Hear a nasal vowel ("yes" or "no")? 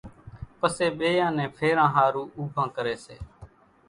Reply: yes